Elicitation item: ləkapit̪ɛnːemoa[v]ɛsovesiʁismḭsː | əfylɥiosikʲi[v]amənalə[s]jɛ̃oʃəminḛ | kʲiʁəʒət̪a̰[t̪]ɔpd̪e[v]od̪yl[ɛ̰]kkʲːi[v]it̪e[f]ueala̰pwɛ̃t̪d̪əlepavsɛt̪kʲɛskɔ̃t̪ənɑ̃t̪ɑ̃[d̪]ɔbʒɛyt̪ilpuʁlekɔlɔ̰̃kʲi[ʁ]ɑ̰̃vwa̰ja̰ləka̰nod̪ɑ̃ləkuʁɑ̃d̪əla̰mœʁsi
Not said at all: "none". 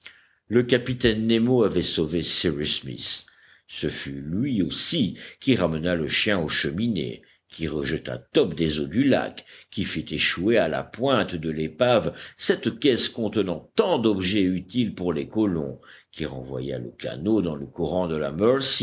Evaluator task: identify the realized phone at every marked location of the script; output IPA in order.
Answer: v, ʁ, ʃ, t̪, z, a̰, f, ʃ, d̪, ʁ

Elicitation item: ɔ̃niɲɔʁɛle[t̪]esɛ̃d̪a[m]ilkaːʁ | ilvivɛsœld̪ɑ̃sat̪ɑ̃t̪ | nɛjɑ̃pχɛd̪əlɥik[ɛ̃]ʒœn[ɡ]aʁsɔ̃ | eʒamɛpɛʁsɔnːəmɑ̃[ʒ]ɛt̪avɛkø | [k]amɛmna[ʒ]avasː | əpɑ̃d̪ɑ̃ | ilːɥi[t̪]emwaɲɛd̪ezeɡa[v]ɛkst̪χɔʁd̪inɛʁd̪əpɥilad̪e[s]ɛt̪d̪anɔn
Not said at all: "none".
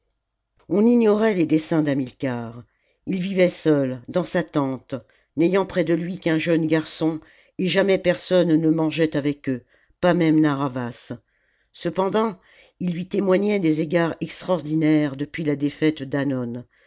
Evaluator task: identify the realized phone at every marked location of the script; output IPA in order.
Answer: d̪, m, ɛ̃, ɡ, ʒ, p, ʁ, t̪, ʁ, f

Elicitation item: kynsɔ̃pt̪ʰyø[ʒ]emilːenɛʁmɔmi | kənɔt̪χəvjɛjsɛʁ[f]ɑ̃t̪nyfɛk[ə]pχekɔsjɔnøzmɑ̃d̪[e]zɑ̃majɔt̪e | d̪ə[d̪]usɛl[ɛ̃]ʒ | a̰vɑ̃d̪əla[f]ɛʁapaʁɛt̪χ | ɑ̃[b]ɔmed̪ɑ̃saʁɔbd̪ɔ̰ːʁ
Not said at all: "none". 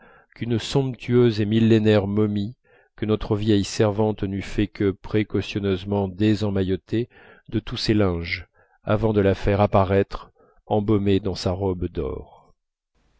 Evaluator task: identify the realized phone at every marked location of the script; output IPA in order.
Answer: z, v, ə, e, t̪, ɛ̃, f, b

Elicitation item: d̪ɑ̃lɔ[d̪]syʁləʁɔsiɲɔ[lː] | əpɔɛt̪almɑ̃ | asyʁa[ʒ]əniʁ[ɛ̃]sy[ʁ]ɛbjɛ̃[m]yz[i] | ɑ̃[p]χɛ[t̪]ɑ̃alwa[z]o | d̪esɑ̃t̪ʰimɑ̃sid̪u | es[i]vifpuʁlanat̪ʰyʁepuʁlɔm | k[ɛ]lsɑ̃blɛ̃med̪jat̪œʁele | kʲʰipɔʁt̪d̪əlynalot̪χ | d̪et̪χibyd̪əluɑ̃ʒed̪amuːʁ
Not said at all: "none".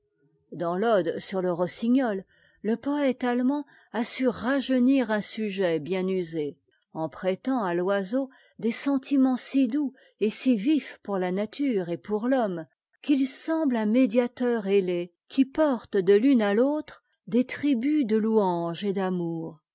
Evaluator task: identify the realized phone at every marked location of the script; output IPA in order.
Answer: d̪, lː, ʒ, ɛ̃, ʒ, n, e, p, t̪, z, i, i

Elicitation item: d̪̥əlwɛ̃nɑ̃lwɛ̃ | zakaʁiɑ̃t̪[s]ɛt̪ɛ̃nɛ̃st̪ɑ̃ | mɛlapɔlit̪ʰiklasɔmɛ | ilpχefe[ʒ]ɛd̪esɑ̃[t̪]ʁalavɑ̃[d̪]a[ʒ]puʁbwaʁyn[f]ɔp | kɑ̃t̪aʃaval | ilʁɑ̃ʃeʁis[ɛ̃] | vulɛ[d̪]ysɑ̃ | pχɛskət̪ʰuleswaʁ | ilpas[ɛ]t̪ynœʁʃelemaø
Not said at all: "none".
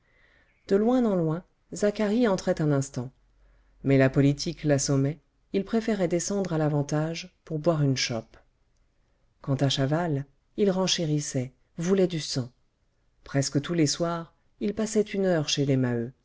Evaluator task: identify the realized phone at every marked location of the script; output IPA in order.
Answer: χ, ʁ, d̪, t̪, ʒ, ʃ, ɛ, d̪, ɛ

